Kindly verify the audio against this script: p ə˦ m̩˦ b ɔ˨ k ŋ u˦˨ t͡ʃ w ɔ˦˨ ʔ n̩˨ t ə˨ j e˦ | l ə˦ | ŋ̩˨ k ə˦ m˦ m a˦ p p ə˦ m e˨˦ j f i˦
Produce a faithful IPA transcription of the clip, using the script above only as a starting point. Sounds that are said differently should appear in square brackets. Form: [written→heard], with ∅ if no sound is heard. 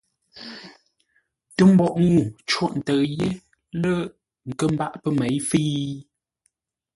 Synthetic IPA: [p→t] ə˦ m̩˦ b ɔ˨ [k→ʔ] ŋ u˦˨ t͡ʃ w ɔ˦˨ ʔ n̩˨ t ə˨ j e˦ | l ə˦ | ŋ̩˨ k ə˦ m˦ [m→b] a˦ [p→ʔ] p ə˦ m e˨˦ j f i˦